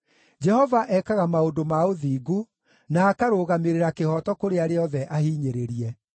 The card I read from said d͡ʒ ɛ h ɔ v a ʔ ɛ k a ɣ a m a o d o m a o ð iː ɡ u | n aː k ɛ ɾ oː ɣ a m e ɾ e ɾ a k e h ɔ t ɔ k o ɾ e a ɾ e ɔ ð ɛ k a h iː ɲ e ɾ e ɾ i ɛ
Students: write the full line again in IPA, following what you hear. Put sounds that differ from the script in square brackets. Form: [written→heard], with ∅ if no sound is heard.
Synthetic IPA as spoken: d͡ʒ ɛ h ɔ v a ʔ ɛ k a ɣ a m a o d o m a o ð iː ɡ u | n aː k [ɛ→a] ɾ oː ɣ a m e ɾ e ɾ a k e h ɔ t ɔ k o ɾ e a ɾ e ɔ ð ɛ [k→ʔ] a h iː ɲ e ɾ e ɾ i ɛ